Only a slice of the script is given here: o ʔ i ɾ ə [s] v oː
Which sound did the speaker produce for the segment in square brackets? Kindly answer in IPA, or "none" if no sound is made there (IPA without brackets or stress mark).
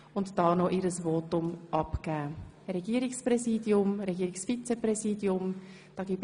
s